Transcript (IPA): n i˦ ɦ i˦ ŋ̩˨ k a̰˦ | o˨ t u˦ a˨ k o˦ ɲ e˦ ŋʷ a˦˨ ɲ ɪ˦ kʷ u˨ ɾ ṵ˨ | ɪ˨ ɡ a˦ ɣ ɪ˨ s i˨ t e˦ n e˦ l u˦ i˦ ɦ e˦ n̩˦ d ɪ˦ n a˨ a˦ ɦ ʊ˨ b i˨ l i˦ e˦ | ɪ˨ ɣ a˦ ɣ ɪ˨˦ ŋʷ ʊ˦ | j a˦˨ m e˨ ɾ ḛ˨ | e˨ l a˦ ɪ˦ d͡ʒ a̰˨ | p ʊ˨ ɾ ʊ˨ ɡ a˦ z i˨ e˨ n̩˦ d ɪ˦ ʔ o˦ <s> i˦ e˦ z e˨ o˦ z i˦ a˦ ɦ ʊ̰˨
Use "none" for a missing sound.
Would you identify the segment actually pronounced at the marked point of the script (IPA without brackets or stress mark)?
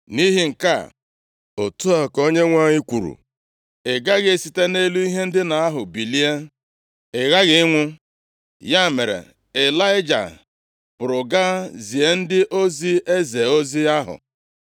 z